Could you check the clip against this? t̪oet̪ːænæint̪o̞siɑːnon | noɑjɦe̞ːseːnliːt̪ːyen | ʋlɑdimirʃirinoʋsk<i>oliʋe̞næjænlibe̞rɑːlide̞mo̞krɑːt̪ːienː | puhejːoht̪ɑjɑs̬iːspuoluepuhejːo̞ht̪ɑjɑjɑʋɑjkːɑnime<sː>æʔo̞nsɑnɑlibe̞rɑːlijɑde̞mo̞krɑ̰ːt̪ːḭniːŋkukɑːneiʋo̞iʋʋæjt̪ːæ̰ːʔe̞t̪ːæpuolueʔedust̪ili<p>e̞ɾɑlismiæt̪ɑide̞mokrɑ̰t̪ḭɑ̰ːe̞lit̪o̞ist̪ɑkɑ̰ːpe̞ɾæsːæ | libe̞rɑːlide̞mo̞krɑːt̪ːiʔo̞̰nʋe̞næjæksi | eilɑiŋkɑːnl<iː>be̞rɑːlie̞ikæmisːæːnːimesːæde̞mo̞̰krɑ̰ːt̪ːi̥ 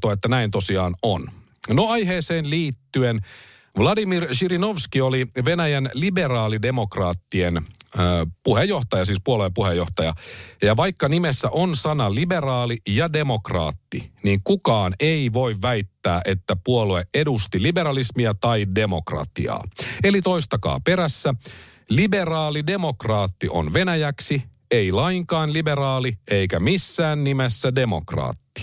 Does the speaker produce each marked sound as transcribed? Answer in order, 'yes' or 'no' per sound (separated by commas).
yes, yes, no, no